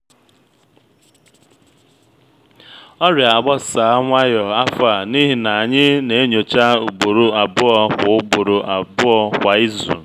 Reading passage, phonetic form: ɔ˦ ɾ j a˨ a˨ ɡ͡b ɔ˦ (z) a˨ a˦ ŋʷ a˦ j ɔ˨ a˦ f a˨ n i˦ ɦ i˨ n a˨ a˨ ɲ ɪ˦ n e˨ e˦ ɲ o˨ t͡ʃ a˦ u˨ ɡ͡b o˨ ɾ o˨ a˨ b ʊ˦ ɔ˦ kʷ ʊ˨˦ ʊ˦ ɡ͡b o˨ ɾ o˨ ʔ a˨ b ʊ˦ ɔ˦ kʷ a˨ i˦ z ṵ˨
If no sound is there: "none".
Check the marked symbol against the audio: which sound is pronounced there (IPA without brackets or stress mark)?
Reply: s